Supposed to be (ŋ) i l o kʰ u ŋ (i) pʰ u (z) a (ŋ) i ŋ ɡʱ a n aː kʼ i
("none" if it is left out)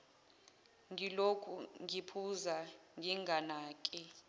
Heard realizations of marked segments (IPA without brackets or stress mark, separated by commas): ŋ, i, z, ŋ